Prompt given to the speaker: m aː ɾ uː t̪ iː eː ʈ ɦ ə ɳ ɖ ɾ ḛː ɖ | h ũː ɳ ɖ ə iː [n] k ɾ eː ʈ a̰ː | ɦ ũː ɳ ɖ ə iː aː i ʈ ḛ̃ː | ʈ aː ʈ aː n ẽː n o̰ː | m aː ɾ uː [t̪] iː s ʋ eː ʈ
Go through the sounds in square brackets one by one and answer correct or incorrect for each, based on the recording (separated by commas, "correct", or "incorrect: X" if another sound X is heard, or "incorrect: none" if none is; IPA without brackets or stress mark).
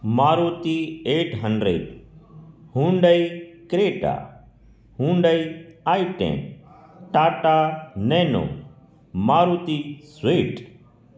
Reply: incorrect: none, correct